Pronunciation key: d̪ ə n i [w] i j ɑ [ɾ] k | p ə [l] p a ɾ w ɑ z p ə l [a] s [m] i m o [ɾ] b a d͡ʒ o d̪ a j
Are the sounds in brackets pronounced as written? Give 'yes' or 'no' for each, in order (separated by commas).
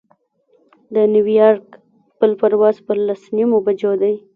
yes, yes, yes, yes, no, no